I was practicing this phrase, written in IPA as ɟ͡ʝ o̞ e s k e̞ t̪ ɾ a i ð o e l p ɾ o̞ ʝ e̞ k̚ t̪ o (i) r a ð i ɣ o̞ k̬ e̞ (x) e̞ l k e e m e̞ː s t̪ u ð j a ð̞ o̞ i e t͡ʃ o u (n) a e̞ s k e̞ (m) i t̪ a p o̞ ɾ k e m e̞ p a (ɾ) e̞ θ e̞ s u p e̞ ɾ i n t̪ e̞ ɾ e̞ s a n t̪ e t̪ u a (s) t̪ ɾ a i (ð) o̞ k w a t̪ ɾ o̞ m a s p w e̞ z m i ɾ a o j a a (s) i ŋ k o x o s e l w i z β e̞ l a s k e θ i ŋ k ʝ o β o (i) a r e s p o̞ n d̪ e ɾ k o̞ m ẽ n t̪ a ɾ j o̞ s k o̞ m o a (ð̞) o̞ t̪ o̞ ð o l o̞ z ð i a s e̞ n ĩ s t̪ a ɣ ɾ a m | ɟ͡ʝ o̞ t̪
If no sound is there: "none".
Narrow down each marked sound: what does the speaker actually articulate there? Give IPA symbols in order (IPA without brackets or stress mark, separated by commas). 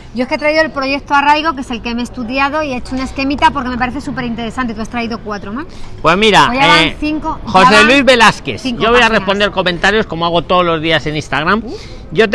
a, s, n, m, ɾ, s, ð, θ, j, ɣ̞